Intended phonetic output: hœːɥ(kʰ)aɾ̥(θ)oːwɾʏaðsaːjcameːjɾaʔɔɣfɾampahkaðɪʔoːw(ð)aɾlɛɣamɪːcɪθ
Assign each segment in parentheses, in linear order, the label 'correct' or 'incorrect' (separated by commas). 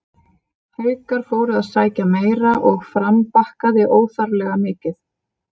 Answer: incorrect, incorrect, incorrect